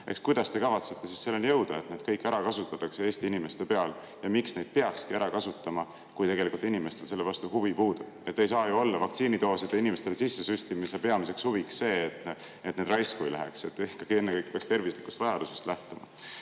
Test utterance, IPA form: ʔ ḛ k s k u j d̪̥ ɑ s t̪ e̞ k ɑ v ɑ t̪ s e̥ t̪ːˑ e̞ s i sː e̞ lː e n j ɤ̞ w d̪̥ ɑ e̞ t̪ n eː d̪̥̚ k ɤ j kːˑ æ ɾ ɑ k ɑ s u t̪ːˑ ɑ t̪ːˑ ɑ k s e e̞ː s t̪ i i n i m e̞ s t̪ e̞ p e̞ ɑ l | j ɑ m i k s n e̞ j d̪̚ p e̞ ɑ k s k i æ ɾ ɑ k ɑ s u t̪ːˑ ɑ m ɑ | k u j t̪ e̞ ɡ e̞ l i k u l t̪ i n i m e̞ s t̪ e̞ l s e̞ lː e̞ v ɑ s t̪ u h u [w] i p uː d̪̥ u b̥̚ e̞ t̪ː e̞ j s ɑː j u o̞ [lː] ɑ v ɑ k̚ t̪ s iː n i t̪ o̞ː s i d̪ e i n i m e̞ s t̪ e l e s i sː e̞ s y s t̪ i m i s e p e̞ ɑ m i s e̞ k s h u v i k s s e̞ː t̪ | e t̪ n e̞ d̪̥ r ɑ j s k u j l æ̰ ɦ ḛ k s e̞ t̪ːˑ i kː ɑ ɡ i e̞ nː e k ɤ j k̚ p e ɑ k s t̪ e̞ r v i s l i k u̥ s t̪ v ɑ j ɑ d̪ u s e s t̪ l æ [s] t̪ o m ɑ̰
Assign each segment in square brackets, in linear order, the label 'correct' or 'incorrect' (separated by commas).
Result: incorrect, correct, incorrect